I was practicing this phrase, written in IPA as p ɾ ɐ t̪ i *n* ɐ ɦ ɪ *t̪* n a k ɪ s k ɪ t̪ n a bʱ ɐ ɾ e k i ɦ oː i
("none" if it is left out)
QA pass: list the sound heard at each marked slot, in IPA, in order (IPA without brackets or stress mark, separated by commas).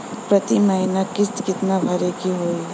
m, none